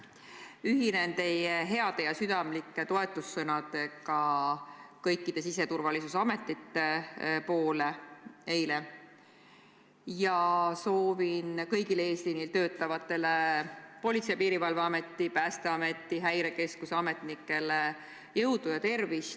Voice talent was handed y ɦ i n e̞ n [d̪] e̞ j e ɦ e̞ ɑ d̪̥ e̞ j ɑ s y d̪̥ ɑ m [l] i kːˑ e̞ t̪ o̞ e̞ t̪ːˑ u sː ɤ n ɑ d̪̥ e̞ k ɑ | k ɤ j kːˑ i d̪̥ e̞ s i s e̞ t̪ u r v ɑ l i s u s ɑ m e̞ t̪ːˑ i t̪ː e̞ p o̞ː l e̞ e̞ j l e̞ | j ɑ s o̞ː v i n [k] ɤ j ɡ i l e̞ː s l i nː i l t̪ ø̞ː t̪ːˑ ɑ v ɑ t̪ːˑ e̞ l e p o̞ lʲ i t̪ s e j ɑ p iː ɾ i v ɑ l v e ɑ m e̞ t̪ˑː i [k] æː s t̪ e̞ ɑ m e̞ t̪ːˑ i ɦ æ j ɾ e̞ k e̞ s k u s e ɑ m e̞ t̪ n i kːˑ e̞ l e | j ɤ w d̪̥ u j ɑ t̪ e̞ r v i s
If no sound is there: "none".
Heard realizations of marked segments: t̪, l, k, p

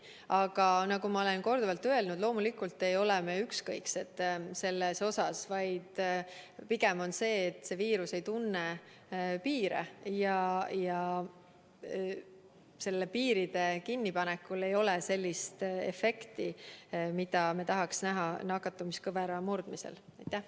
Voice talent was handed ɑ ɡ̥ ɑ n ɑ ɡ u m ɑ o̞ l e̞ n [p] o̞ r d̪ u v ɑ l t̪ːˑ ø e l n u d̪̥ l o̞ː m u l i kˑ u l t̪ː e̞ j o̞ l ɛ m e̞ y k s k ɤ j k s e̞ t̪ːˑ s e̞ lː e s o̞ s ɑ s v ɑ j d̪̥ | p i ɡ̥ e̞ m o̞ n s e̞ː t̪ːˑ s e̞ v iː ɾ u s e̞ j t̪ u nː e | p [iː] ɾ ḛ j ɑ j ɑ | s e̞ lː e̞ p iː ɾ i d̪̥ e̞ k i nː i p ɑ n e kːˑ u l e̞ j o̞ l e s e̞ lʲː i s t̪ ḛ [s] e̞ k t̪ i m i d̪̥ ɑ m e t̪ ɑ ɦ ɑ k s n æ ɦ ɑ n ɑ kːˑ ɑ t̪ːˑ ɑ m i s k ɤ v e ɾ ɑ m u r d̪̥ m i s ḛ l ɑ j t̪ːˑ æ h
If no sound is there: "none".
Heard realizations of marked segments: k, iː, f

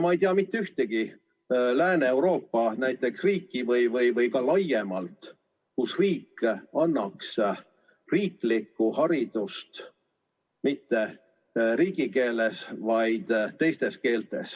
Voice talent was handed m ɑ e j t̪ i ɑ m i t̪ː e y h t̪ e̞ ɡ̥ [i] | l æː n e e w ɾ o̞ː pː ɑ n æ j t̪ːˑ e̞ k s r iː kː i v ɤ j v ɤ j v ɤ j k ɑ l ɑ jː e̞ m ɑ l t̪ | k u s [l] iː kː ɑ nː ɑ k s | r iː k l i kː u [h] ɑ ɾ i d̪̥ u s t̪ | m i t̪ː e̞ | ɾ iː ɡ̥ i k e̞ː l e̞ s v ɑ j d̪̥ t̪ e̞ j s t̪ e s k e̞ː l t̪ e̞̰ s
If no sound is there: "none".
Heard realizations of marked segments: i, r, h

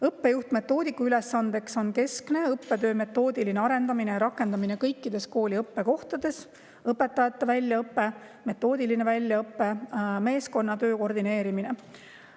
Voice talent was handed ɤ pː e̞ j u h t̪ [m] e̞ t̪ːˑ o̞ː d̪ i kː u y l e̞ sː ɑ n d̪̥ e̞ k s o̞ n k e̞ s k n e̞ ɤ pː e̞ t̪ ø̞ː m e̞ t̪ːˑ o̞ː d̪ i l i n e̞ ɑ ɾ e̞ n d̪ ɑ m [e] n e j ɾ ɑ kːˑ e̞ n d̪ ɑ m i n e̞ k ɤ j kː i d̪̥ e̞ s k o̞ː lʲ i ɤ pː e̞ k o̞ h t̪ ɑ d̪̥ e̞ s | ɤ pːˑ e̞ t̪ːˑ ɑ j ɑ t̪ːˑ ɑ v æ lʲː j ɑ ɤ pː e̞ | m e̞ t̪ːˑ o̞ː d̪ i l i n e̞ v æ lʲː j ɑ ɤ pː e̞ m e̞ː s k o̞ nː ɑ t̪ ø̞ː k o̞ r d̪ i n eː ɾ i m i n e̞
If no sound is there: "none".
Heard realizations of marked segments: m, i

